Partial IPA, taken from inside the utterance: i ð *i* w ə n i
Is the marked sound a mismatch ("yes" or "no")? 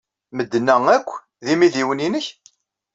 no